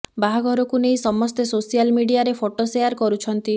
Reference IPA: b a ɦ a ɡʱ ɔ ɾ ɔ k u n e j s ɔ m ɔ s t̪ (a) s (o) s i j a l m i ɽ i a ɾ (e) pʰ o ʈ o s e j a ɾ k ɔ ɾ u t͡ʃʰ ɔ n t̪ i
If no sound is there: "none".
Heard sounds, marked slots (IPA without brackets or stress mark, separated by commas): e, o, e